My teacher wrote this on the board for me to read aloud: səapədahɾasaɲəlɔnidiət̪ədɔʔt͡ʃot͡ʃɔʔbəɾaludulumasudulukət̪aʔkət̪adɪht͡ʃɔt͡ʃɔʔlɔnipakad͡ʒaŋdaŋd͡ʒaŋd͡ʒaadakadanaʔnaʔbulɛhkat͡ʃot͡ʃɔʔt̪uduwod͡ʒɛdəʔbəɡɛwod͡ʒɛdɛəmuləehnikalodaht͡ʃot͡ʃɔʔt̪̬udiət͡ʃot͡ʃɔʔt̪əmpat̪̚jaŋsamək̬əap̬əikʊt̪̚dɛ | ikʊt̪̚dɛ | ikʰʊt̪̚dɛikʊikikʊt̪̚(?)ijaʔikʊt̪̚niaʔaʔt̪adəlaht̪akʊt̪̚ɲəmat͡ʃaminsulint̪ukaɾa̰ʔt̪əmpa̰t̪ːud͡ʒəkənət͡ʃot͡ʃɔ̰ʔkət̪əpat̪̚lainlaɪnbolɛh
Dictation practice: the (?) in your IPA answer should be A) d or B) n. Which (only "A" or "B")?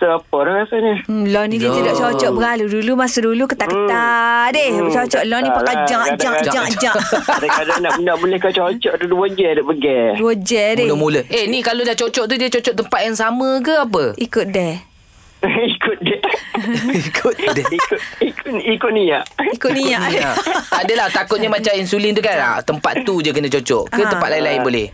B